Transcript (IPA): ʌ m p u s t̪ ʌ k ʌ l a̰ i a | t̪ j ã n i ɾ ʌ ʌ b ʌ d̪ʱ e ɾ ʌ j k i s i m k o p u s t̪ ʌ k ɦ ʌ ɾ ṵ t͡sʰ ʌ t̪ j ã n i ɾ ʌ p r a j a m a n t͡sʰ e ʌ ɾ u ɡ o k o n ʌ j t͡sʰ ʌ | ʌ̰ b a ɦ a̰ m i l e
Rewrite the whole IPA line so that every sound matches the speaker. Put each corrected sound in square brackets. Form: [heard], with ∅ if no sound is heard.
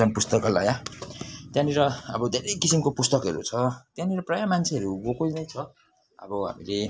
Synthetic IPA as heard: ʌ [n] p u s t̪ ʌ k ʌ l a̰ [j] a | t̪ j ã n i ɾ ʌ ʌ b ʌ d̪ʱ e ɾ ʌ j k i s i m k o p u s t̪ ʌ k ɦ ʌ ɾ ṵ t͡sʰ ʌ t̪ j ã n i ɾ ʌ p r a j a m a n t͡sʰ e ʌ ɾ u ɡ o k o n ʌ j t͡sʰ ʌ | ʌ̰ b [ʌ] ɦ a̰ m i l e